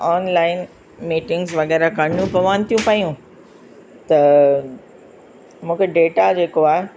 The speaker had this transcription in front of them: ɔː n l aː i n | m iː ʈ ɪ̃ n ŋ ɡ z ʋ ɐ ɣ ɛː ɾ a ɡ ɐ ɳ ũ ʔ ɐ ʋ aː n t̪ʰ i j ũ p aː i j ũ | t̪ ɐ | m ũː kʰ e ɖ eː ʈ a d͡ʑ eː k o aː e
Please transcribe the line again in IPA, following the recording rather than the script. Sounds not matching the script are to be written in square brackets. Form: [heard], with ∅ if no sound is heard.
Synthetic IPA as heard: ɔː n l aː [ɪ] n | m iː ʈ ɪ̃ [∅] ŋ ɡ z ʋ ɐ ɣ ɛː ɾ a [k] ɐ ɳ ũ [p] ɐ ʋ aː n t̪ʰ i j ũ p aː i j ũ | t̪ ɐ | m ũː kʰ e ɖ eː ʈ a d͡ʑ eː k o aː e

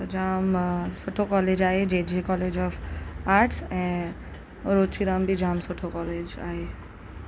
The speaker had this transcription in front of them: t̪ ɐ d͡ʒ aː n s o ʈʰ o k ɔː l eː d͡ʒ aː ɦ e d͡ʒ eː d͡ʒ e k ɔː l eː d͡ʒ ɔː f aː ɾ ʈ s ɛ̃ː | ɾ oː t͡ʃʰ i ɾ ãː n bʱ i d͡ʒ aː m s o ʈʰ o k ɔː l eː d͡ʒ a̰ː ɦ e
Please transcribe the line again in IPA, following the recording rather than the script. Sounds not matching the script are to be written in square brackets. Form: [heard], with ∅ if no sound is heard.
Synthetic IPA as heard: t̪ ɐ d͡ʒ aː [m] s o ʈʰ o k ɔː l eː d͡ʒ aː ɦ e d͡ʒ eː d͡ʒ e k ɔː l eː d͡ʒ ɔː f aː ɾ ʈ s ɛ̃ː | ɾ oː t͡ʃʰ i ɾ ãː [m] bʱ i d͡ʒ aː m s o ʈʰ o k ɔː l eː d͡ʒ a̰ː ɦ e

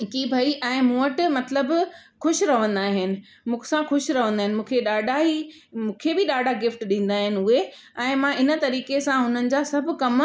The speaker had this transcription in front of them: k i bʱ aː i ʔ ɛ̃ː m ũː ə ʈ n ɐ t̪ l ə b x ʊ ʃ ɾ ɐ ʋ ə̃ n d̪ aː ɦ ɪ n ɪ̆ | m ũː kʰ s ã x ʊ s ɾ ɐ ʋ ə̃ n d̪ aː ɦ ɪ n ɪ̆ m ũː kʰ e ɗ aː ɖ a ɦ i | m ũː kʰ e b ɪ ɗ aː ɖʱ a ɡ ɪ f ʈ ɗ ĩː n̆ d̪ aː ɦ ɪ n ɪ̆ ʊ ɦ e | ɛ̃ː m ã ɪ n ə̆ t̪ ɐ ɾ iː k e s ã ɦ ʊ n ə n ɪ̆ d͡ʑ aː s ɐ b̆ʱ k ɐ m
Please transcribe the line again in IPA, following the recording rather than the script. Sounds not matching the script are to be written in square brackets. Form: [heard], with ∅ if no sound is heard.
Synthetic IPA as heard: k i bʱ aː i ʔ ɛ̃ː m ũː ə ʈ [m] ɐ t̪ l ə b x ʊ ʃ ɾ ɐ ʋ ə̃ n d̪ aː ɦ ɪ n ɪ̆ | m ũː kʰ s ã x ʊ [ʃ] ɾ ɐ ʋ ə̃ n d̪ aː ɦ ɪ n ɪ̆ m ũː kʰ e ɗ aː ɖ a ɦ i | m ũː kʰ e b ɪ ɗ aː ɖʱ a ɡ ɪ f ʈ ɗ ĩː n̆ d̪ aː ɦ ɪ n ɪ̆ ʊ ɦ e | ɛ̃ː m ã ɪ n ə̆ t̪ ɐ ɾ iː k e s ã ɦ ʊ n ə n ɪ̆ d͡ʑ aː s ɐ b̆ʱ k ɐ m

